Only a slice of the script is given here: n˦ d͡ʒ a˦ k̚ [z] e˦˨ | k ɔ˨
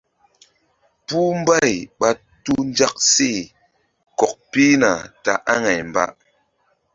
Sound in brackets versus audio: incorrect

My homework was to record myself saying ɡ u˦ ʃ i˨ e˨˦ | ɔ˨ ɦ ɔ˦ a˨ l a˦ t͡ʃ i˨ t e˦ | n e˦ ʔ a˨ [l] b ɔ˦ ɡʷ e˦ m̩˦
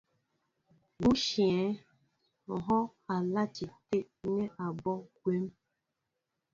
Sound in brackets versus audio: incorrect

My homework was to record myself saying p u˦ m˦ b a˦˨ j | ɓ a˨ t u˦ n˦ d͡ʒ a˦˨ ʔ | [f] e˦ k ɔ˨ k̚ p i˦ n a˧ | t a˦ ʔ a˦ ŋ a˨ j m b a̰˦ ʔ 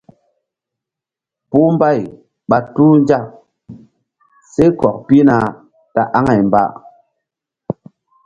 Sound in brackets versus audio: incorrect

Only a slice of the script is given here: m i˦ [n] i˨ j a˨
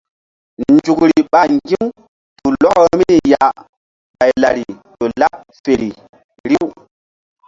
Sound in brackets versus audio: correct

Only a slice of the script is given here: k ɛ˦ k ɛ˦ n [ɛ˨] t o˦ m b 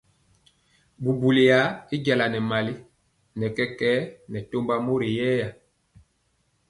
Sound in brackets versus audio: correct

